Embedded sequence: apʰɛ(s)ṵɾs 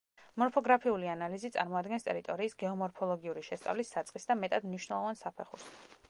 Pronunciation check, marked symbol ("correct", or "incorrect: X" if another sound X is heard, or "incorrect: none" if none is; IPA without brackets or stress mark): incorrect: χ